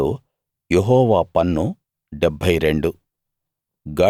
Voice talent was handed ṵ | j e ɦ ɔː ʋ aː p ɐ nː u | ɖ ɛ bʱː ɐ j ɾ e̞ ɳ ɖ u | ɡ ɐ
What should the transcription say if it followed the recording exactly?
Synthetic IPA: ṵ | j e ɦ ɔː ʋ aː p ɐ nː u | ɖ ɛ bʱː ɐ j ɾ e̞ ɳ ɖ u | ɡ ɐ